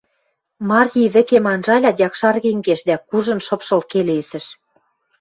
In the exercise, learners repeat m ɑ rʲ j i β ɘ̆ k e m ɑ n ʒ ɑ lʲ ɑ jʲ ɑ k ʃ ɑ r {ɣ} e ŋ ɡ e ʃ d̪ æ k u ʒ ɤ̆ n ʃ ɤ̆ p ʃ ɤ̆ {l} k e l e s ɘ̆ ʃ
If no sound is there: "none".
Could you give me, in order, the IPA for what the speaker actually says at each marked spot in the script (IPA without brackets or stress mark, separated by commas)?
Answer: ɣ, l